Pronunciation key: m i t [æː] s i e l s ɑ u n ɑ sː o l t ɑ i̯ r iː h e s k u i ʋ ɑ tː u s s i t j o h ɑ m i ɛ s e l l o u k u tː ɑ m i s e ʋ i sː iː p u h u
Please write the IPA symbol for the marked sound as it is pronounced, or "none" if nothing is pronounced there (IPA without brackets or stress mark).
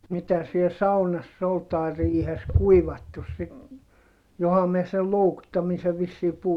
æ